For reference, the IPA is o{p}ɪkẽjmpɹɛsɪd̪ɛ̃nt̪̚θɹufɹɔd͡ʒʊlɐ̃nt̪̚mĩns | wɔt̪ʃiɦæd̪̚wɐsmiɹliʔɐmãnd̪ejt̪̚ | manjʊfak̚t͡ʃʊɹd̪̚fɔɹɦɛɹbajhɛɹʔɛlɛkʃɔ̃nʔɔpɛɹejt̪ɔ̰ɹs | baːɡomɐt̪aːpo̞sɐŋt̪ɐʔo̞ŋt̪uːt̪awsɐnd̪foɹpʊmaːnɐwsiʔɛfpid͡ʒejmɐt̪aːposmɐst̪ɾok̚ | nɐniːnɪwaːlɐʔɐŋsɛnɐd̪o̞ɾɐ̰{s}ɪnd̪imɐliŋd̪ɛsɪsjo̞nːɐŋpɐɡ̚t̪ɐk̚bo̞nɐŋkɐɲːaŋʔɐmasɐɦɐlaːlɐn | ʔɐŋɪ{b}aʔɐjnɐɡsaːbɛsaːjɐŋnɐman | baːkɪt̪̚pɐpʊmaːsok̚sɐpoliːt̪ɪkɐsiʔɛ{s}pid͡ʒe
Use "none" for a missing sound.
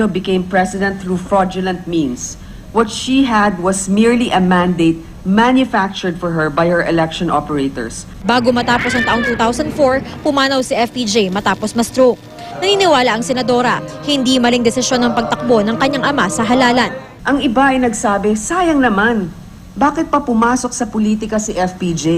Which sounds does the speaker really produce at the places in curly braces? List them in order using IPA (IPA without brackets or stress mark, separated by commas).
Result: b, h, b, f